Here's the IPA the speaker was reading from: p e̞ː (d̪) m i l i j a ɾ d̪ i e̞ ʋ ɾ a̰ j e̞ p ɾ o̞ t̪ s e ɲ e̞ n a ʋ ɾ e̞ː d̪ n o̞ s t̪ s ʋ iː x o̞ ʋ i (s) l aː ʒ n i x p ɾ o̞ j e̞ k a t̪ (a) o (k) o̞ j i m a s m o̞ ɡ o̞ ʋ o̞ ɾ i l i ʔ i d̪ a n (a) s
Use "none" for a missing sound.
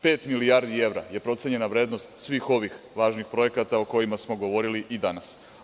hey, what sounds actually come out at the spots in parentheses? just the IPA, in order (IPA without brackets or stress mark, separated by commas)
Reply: t̪, x, a, k, a